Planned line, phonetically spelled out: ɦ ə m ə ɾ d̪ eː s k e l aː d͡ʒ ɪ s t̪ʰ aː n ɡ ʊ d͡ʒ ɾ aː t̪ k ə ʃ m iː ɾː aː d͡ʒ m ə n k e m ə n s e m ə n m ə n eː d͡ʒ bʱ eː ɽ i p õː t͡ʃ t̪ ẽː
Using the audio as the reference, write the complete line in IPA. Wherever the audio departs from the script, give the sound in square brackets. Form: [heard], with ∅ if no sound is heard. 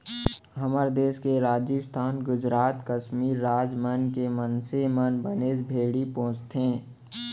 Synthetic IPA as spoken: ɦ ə m ə ɾ d̪ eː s k e [ɾ] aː d͡ʒ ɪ s t̪ʰ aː n ɡ ʊ d͡ʒ ɾ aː t̪ k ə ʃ m iː ɾː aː d͡ʒ m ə n k e m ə n s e m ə n [b] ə n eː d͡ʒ bʱ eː ɽ i p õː t͡ʃ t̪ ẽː